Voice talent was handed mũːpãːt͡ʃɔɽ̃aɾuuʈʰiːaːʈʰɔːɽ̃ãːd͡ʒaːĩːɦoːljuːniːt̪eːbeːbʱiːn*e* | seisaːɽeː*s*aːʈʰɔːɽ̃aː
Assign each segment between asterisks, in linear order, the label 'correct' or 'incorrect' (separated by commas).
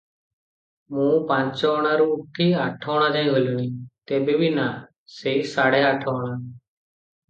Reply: incorrect, incorrect